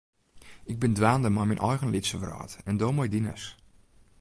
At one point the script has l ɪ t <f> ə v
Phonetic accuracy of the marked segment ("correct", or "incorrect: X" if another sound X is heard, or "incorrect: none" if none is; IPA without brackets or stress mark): incorrect: s